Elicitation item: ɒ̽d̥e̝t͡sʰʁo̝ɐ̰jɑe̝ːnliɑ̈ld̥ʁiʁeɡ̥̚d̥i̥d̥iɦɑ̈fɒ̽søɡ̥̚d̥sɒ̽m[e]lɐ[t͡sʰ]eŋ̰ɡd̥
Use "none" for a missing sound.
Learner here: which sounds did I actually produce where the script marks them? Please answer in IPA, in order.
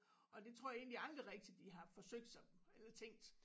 e, t͡sʰ

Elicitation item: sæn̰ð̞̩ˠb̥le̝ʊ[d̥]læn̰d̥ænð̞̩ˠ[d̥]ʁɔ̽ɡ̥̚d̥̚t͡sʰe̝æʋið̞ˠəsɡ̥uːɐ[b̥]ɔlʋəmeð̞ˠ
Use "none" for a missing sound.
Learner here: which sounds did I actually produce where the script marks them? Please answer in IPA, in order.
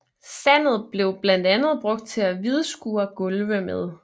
b̥, b̥, ɡ̥

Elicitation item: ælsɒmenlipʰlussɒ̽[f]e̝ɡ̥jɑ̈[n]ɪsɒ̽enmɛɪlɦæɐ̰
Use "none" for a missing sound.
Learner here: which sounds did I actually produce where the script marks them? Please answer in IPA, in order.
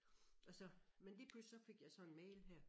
f, none

